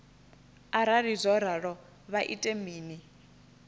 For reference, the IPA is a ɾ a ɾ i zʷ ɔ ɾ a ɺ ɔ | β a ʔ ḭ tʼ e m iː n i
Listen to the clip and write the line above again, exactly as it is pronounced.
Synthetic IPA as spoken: a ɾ a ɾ i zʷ ɔ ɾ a ɺ ɔ | β a ʔ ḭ tʼ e m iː n i